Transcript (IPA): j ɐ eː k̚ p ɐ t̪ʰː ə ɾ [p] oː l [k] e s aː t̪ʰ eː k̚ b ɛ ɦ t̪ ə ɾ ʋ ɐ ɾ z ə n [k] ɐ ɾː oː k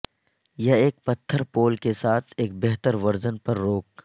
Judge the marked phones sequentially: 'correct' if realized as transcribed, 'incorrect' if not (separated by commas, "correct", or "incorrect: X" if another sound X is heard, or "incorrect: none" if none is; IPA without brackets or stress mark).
correct, correct, incorrect: p